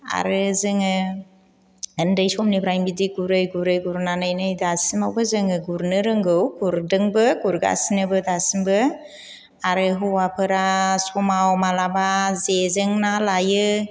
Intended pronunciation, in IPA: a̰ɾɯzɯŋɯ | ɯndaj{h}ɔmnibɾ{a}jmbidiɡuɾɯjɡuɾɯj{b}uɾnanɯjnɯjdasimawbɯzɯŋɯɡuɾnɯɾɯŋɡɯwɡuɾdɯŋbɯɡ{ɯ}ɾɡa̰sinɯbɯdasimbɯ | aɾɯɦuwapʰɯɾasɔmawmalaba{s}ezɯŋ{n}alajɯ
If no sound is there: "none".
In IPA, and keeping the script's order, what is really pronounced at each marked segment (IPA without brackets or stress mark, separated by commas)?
s, a, ɡ, u, z, n